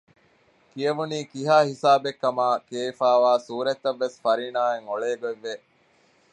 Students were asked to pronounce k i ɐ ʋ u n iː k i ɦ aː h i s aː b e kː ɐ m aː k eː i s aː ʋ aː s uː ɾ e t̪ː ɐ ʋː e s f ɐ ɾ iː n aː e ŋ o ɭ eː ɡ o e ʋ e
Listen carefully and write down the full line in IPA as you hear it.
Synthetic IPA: k i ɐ ʋ u n iː k i ɦ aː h i s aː b e kː ɐ m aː k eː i f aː ʋ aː s uː ɾ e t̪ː ɐ ʋː e s f ɐ ɾ iː n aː e ŋ o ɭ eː ɡ o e ʋː e